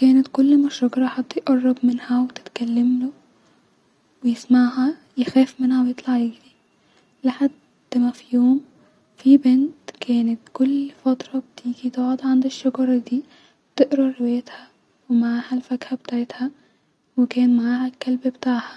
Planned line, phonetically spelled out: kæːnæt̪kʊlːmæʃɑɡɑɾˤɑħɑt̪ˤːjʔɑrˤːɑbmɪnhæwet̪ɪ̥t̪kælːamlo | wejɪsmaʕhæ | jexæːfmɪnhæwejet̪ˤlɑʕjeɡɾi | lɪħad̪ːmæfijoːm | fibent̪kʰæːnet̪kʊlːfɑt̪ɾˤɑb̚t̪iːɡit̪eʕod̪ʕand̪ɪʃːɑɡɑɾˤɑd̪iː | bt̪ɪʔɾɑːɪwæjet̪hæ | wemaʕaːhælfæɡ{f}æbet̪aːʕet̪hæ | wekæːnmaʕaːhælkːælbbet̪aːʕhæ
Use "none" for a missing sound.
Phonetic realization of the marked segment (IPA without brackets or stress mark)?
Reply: h